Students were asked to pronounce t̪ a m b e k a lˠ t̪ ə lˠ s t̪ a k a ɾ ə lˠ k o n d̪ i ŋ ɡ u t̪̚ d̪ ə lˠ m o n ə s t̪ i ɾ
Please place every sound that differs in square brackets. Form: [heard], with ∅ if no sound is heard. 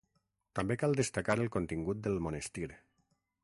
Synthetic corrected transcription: t̪ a m b e k a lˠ [d̪] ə [∅] s t̪ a k a ɾ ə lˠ k o n [t̪] i ŋ ɡ u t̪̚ d̪ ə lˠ m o n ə s t̪ i ɾ